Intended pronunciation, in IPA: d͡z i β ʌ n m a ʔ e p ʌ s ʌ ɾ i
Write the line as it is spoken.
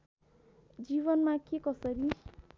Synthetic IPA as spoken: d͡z i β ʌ n m a k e k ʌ s ʌ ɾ i